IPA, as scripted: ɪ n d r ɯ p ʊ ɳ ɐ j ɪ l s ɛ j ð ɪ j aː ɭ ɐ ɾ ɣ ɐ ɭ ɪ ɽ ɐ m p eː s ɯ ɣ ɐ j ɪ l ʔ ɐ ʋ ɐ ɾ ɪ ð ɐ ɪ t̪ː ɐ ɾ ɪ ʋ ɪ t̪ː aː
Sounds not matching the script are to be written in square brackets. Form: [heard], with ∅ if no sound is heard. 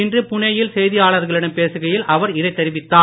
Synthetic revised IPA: ɪ n d r ɯ p ʊ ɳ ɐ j ɪ l s ɛ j ð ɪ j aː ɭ ɐ ɾ ɣ ɐ ɭ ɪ ɽ ɐ m p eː s ɯ ɣ ɐ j ɪ l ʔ ɐ ʋ ɐ ɾ ɪ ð ɐ ɪ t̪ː ɐ ɾ ɪ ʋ ɪ t̪ː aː